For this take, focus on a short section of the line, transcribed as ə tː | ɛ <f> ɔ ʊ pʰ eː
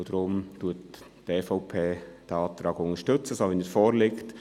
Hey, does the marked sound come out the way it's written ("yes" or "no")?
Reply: yes